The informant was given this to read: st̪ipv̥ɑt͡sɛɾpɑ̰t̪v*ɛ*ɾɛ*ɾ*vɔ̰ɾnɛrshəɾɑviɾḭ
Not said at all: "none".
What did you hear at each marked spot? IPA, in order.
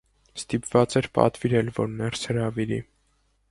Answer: i, l

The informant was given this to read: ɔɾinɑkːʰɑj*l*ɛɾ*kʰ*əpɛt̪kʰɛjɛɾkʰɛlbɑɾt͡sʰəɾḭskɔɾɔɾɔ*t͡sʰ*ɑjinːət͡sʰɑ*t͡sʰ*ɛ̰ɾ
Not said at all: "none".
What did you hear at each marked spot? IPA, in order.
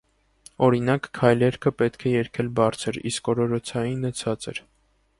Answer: l, kʰ, t͡sʰ, t͡s

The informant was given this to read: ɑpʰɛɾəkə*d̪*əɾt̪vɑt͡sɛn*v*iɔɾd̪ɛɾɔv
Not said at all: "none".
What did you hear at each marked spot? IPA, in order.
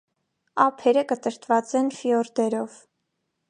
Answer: t̪, f

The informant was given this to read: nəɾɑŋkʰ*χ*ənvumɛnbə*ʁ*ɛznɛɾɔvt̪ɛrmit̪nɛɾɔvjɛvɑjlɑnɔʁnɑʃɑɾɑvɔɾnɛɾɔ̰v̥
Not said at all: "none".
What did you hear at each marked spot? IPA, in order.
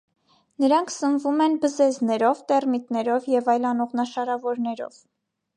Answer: s, z

